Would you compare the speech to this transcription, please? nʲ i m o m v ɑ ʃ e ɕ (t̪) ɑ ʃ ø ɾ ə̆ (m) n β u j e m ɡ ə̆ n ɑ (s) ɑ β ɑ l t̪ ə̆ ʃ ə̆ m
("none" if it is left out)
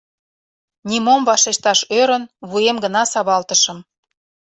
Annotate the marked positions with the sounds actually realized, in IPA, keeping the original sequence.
t̪, none, s

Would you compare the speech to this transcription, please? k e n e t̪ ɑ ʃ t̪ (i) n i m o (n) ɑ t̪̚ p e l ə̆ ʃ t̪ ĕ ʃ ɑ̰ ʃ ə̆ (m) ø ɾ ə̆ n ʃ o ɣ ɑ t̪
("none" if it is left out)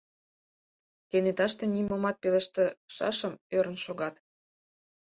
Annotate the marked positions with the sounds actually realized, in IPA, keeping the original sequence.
e, m, m

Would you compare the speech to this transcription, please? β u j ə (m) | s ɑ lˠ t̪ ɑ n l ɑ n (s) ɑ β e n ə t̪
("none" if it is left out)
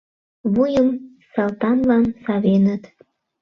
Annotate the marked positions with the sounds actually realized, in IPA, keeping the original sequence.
m, s

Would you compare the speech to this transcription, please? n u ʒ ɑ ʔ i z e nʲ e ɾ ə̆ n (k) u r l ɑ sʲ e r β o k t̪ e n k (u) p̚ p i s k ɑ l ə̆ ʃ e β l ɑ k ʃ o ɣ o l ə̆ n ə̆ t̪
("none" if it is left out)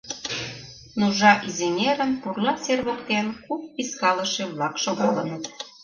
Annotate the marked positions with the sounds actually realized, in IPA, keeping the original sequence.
p, u

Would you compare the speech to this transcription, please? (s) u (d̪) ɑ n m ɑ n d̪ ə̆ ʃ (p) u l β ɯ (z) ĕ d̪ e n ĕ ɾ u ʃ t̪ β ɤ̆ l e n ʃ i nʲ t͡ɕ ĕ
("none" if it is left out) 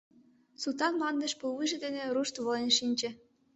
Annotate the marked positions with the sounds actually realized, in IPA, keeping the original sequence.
s, t̪, p, ʒ

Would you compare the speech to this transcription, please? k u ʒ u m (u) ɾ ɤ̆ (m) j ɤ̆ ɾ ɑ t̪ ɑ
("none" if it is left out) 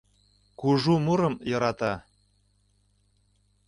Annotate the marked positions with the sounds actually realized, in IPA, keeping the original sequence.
u, m

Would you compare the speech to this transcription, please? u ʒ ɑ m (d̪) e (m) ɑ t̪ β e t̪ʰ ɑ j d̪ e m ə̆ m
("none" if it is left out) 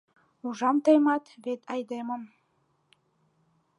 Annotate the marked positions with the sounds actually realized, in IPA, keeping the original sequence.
t̪, m

